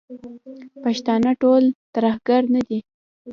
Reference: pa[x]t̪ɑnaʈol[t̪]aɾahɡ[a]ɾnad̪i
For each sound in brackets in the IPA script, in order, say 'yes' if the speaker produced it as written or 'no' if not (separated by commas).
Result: no, yes, yes